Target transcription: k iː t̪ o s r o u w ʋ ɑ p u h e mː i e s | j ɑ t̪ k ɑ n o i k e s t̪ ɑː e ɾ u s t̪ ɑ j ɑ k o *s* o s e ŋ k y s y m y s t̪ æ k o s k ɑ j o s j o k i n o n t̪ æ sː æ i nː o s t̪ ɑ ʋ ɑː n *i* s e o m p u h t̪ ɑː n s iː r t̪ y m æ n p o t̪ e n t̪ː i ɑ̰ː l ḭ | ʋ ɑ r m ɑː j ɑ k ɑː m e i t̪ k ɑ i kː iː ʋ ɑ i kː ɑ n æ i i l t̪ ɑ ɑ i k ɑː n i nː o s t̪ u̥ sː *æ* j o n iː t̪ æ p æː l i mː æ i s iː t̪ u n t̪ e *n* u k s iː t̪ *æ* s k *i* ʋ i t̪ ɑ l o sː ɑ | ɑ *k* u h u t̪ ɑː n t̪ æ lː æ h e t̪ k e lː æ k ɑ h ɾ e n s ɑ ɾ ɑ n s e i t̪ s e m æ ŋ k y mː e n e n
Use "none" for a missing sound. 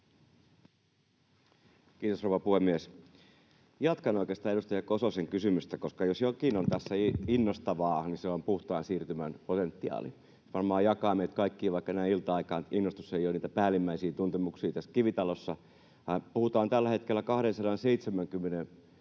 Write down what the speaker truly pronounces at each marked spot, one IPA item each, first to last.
s, i, e, m, æ, i, p

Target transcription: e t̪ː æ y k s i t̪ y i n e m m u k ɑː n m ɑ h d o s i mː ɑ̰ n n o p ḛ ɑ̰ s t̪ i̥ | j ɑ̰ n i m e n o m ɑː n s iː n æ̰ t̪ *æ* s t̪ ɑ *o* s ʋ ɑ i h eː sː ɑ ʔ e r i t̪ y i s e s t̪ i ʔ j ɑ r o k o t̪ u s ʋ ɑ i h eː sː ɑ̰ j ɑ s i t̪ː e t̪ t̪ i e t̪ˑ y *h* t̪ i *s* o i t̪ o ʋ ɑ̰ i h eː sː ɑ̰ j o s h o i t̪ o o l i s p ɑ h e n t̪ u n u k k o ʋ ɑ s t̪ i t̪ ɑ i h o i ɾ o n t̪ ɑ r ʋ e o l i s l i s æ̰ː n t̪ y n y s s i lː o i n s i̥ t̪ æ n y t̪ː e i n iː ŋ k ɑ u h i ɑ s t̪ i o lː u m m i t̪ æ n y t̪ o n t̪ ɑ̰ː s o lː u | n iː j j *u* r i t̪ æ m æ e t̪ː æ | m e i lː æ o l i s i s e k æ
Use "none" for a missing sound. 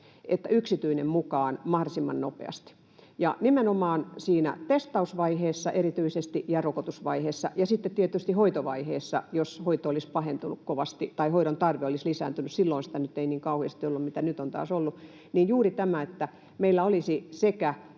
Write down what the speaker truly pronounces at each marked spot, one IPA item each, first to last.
e, u, s, h, uː

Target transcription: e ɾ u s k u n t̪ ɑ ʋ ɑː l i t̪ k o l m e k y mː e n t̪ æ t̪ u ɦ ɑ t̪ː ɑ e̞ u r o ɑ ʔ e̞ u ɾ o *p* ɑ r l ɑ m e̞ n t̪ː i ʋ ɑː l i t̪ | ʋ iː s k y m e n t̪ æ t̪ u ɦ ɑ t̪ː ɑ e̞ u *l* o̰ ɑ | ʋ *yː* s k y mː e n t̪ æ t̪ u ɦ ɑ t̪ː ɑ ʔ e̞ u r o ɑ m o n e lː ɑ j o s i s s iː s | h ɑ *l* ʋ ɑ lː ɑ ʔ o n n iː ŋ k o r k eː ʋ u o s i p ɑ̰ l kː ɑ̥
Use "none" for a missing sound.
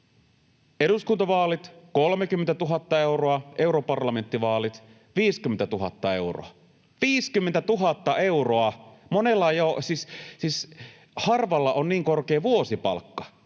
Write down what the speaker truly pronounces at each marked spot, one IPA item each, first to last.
p, r, iː, r

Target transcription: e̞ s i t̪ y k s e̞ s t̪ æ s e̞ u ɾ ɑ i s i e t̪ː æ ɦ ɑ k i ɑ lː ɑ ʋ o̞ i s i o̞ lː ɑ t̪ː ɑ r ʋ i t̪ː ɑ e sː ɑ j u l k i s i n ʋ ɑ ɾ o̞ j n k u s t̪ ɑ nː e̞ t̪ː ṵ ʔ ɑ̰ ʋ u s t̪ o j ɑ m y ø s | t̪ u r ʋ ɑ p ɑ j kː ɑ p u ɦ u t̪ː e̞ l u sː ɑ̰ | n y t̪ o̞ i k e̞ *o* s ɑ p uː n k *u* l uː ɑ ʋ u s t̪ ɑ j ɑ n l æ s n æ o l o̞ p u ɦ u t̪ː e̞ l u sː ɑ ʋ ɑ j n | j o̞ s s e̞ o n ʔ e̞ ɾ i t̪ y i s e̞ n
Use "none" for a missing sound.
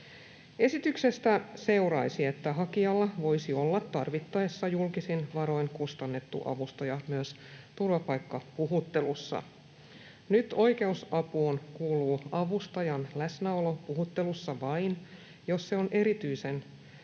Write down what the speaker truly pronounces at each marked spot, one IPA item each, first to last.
u, uː

